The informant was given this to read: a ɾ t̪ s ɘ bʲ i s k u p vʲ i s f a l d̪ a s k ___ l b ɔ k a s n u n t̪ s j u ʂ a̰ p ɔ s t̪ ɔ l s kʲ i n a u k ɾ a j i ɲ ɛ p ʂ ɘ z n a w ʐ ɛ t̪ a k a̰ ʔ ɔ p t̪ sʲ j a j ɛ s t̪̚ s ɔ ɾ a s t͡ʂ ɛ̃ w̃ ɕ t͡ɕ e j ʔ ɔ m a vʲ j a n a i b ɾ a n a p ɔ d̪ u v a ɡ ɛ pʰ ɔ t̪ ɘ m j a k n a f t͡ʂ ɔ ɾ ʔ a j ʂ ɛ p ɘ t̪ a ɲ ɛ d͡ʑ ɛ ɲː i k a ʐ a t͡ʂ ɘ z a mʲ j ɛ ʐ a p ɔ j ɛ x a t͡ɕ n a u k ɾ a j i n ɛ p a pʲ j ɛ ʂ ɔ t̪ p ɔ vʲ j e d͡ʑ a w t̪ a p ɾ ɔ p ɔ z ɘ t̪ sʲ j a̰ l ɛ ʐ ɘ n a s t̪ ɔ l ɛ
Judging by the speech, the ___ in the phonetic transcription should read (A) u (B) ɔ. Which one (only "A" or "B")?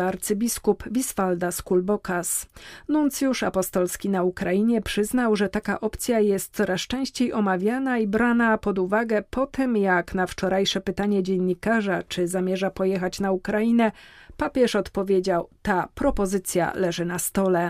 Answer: A